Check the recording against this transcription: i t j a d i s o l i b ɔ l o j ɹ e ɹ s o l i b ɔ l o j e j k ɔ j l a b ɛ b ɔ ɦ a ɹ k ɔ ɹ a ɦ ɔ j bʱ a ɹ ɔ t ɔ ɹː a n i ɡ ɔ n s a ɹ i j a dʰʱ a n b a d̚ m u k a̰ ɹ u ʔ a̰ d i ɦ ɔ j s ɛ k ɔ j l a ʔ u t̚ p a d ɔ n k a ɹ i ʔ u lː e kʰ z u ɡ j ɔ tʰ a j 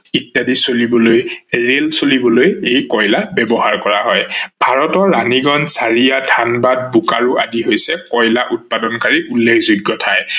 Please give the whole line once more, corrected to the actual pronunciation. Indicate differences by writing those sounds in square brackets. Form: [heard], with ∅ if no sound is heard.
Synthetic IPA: i t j a d i s o l i b ɔ l o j ɹ e [l] s o l i b ɔ l o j e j k ɔ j l a b ɛ b ɔ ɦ a ɹ k ɔ ɹ a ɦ ɔ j bʱ a ɹ ɔ t ɔ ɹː a n i ɡ ɔ n s a ɹ i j a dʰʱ a n b a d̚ [b] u k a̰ ɹ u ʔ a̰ d i ɦ [o] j s ɛ k ɔ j l a ʔ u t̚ p a d ɔ n k a ɹ i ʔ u lː e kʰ z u ɡ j ɔ tʰ a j